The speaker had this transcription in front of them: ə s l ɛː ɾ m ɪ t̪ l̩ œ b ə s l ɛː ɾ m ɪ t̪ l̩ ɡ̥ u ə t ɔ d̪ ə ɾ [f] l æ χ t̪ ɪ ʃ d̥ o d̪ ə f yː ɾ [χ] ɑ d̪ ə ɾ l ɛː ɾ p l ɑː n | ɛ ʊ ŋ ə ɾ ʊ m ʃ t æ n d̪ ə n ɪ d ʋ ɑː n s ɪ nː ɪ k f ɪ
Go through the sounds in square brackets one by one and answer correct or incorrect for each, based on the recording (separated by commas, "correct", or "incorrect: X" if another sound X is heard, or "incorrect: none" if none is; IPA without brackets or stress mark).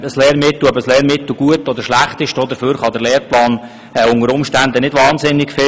incorrect: ʃ, correct